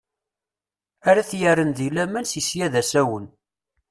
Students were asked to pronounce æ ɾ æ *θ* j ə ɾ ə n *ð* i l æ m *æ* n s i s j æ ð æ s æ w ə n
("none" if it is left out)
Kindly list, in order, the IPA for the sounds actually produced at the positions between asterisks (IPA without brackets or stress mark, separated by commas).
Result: θ, ð, æ